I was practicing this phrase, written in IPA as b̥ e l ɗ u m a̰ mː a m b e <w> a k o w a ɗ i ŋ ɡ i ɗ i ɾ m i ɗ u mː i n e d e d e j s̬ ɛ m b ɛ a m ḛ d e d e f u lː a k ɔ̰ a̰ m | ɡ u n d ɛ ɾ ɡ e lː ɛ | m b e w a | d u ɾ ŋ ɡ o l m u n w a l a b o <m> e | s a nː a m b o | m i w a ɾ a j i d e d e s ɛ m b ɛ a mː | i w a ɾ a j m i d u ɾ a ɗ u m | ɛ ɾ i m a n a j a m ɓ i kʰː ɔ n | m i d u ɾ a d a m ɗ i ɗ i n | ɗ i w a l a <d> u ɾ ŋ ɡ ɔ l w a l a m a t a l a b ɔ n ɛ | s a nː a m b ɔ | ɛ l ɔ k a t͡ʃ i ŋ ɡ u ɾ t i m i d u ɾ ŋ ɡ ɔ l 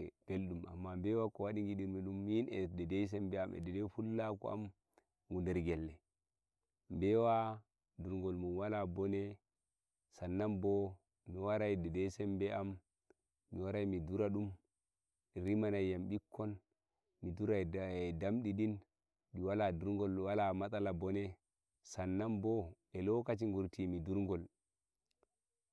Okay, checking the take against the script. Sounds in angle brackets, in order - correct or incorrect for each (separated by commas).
correct, incorrect, correct